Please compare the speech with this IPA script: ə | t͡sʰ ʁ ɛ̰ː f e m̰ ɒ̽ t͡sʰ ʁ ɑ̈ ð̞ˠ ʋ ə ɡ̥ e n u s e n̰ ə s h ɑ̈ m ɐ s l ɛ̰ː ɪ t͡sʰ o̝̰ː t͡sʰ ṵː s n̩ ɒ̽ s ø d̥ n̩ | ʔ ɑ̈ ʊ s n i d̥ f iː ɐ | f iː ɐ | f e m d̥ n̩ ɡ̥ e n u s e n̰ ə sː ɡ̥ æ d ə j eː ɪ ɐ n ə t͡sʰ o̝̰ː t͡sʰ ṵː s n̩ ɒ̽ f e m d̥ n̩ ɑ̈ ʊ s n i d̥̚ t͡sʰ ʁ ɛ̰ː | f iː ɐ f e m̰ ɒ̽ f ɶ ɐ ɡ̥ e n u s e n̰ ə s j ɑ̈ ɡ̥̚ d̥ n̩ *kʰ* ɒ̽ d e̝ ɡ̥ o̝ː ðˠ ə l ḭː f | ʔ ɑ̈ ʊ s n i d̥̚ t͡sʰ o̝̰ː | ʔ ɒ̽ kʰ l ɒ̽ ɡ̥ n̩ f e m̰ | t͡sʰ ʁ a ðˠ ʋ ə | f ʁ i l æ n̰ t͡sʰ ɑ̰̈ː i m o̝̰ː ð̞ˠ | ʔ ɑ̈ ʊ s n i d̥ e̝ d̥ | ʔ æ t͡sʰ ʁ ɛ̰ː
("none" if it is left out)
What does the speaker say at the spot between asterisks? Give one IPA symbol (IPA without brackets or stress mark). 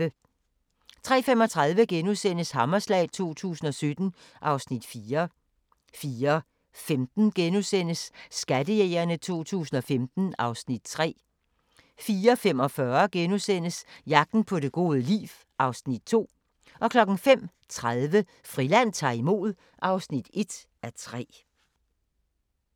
pʰ